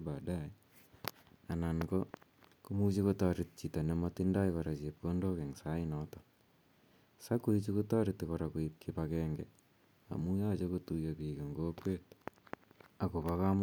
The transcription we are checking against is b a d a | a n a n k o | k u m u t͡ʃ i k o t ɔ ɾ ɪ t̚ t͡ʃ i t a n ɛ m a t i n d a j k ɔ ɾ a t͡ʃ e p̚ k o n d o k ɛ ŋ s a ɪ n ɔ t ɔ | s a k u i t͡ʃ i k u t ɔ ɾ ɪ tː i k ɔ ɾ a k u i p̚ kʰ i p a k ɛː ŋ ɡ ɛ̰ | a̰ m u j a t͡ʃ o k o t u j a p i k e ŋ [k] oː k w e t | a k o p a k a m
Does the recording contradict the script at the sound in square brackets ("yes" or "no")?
yes